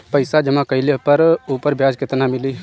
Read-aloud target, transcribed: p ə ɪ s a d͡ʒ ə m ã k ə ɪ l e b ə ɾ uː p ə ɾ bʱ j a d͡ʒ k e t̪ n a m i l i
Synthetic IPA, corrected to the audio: p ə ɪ s a d͡ʒ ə m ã k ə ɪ l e p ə ɾ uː p ə ɾ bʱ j a d͡ʒ k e t̪ n a m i l i